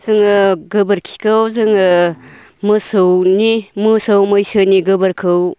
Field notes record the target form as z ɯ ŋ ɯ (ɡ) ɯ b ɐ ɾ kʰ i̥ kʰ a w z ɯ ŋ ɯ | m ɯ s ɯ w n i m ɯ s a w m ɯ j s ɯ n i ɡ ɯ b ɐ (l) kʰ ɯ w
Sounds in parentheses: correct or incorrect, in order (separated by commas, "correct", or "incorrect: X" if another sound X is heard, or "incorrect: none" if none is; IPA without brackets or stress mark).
correct, incorrect: ɾ